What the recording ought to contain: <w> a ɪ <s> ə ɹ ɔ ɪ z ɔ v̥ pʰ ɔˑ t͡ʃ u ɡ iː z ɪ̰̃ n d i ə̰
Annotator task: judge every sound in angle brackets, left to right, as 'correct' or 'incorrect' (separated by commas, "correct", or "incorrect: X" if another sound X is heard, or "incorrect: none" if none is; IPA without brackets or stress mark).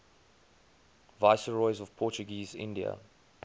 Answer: incorrect: v, correct